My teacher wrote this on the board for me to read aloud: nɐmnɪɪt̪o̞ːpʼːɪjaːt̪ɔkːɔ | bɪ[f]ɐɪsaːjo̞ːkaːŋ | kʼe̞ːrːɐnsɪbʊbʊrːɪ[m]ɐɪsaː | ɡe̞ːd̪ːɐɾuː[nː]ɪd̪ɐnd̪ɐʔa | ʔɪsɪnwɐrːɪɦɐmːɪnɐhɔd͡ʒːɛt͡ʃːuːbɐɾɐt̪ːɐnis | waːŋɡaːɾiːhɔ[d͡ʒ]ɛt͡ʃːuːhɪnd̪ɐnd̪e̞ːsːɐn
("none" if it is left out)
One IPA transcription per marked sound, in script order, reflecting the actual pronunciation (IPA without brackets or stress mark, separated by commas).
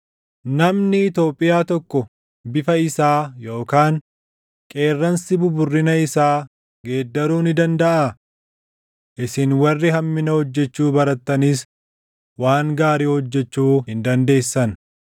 f, n, n, d͡ʒː